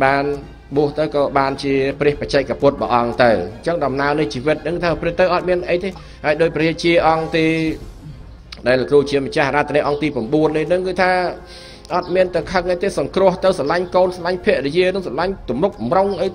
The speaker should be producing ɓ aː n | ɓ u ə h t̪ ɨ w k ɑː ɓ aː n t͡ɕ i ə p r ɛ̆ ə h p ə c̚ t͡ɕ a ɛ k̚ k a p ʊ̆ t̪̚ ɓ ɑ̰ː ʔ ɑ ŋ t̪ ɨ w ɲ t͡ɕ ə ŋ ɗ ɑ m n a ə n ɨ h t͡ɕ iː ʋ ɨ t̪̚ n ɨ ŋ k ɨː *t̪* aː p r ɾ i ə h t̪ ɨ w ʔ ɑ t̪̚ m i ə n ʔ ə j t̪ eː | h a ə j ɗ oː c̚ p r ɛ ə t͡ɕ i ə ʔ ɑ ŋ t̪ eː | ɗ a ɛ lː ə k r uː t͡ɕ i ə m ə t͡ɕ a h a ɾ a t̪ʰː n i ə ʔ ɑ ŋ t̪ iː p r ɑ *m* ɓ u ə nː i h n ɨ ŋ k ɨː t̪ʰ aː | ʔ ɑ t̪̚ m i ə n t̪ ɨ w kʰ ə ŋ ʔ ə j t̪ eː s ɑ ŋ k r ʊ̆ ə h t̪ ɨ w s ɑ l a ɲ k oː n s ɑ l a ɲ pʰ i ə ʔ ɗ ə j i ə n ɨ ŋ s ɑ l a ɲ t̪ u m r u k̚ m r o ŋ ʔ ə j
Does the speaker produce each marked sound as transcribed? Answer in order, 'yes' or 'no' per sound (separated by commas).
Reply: no, yes